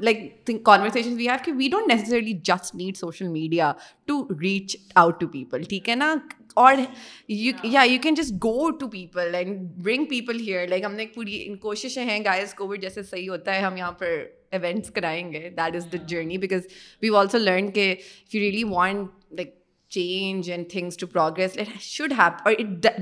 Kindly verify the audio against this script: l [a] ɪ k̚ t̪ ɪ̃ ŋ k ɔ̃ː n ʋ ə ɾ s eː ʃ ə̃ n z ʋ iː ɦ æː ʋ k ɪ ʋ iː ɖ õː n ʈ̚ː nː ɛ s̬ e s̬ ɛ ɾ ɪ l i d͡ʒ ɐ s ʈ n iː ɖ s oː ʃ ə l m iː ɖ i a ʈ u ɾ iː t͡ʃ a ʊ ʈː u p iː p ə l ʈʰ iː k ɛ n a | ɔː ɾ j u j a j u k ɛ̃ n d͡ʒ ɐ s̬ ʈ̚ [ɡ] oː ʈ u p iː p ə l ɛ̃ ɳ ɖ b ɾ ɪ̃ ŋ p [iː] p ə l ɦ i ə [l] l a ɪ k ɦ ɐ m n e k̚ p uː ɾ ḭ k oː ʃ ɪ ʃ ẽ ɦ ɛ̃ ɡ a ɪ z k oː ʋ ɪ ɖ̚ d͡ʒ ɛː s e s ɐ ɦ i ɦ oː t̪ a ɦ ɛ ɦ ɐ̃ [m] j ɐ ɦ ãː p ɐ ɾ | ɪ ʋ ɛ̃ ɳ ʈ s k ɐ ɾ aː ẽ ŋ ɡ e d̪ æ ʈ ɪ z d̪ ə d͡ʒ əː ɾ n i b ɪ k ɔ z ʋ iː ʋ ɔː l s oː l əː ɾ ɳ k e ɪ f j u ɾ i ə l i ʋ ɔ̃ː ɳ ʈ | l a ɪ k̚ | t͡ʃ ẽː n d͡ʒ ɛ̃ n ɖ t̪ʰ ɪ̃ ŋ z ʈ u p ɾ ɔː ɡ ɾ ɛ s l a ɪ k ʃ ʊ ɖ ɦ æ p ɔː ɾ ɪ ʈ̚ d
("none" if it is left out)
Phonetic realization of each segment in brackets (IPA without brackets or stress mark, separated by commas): a, ɡ, iː, ɾ, m